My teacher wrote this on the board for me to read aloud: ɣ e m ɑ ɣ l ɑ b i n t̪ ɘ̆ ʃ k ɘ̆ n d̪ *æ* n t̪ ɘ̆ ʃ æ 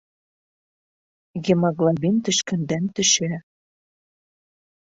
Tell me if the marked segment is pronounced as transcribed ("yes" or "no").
yes